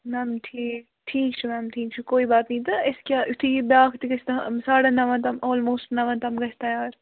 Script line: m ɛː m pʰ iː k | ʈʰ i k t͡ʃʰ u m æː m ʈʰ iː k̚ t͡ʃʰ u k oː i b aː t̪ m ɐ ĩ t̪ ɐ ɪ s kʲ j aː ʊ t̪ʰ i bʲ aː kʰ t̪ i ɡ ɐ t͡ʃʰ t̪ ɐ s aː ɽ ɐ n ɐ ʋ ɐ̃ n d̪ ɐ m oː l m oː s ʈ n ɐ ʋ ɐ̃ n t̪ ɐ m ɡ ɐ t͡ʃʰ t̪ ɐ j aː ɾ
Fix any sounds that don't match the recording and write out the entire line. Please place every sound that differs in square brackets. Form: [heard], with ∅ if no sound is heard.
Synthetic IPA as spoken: m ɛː m [ʈʰ] iː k | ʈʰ [iː] k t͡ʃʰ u m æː m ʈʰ iː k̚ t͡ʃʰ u k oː i b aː t̪ [n] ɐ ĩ t̪ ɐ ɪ s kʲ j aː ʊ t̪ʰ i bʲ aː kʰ t̪ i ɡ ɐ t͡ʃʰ t̪ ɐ s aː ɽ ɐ n ɐ ʋ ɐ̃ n [t̪] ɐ m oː l m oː s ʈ n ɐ ʋ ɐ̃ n t̪ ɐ m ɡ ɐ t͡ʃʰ t̪ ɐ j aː ɾ